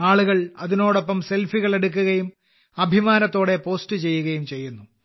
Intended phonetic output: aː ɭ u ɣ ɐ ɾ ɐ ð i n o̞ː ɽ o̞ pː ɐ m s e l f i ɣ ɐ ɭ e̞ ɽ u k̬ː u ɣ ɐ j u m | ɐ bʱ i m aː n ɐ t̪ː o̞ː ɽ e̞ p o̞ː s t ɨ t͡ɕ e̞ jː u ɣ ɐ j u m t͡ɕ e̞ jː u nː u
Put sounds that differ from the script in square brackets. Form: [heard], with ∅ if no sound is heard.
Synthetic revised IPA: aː ɭ u ɣ ɐ [ɭ] ɐ ð i n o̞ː ɽ o̞ pː ɐ m s e l f i ɣ ɐ ɭ e̞ ɽ u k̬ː u ɣ ɐ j u m | ɐ bʱ i m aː n ɐ t̪ː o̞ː ɽ e̞ p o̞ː s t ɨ t͡ɕ e̞ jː u ɣ ɐ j u m t͡ɕ e̞ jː u nː u